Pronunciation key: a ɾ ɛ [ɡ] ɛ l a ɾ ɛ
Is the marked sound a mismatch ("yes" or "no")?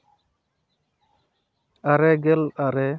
no